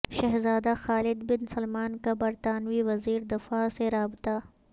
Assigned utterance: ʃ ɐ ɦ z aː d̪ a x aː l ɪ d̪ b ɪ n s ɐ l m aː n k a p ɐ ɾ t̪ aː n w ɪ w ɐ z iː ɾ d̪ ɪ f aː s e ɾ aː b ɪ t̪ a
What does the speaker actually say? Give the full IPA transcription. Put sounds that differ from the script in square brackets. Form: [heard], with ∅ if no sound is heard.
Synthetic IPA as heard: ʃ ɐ ɦ z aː d̪ a x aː l ɪ d̪ b ɪ n s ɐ l m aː n k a [b] ɐ ɾ t̪ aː n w [i] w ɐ z iː ɾ d̪ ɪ f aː s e ɾ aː b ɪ t̪ a